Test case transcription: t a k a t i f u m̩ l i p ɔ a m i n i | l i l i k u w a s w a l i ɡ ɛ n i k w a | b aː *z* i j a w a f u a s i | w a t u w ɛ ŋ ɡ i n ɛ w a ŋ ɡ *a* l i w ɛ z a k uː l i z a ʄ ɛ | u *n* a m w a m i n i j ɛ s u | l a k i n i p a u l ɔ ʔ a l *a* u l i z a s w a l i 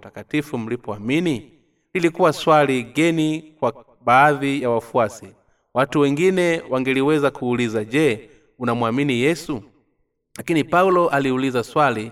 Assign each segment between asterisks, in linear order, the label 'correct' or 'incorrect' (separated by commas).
incorrect, incorrect, correct, incorrect